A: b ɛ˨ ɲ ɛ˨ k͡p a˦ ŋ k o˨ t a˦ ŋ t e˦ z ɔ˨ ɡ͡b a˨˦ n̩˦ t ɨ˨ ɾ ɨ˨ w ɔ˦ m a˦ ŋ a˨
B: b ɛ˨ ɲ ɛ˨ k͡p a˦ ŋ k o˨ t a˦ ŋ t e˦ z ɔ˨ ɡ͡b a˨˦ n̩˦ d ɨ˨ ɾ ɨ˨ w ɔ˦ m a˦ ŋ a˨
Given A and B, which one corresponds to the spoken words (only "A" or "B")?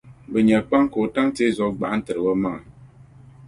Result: A